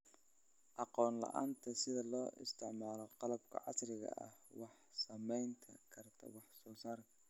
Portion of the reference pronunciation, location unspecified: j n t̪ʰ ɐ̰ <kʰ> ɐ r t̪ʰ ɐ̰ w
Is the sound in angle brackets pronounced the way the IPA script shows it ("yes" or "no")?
yes